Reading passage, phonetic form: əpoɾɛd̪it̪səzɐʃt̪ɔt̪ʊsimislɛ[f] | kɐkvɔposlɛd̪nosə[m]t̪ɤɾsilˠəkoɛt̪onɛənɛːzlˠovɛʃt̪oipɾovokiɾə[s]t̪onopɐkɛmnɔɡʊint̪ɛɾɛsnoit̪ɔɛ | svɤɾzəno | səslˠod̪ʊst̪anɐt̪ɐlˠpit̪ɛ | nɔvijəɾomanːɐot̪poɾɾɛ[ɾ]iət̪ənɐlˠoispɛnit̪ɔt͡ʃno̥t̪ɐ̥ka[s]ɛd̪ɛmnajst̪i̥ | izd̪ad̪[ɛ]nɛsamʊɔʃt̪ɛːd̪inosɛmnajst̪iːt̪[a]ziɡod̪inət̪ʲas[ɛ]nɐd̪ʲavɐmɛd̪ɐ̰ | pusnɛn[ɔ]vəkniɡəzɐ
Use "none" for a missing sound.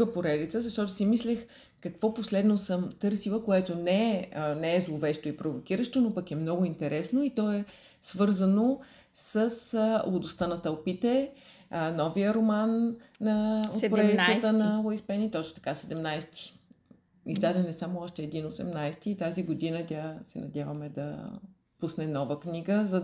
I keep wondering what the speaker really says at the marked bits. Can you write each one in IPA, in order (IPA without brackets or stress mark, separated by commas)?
x, m, ʃ, l, s, ɛ, a, ɛ, ɔ